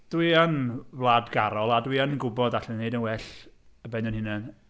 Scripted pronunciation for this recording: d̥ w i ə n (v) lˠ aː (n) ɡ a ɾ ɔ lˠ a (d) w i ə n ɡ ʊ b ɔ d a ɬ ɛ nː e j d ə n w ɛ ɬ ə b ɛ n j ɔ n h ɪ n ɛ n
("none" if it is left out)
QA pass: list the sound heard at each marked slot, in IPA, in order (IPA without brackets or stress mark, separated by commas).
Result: v, d, d